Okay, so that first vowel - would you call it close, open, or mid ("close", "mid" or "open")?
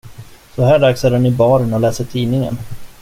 mid